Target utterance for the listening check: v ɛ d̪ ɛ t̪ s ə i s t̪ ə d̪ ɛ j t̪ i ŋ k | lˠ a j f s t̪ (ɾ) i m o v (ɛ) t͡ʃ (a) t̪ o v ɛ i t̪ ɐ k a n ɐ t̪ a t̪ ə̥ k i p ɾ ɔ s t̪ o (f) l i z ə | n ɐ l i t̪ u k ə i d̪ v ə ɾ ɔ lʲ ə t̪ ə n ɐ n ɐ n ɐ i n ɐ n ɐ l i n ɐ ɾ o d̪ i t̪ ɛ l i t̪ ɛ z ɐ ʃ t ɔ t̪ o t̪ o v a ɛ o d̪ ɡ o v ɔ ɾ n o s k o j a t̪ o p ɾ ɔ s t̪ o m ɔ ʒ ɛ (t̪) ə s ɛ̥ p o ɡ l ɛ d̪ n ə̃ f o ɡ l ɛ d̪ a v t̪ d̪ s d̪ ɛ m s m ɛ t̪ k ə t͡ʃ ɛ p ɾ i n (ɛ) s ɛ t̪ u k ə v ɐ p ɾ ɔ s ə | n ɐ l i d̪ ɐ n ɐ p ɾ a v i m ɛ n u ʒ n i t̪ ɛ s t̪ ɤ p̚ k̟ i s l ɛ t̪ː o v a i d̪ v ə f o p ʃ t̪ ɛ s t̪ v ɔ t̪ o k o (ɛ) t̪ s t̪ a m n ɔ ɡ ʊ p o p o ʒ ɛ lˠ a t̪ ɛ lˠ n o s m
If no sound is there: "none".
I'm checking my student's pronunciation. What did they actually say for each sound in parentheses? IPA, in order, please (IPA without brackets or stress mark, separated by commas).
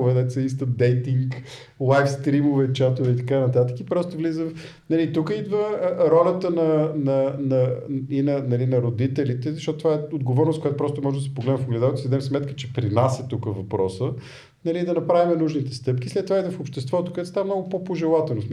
ɾ, ɛ, a, v, d̪, a, ɛ